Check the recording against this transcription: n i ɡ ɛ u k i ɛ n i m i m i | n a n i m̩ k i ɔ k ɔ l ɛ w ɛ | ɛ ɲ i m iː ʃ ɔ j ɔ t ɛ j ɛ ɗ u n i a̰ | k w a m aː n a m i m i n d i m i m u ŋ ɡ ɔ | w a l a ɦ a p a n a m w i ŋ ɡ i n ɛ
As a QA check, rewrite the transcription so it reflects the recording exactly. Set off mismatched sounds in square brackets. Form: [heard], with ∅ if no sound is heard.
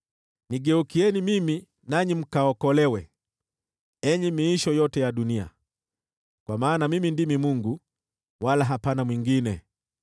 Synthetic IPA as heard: n i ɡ ɛ u k i ɛ n i m i m i | n a [ɲ] i m̩ k [a] ɔ k ɔ l ɛ w ɛ | ɛ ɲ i m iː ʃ ɔ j ɔ t ɛ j [a] ɗ u n i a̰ | k w a m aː n a m i m i n d i m i m u ŋ ɡ [u] | w a l a ɦ a p a n a m w i ŋ ɡ i n ɛ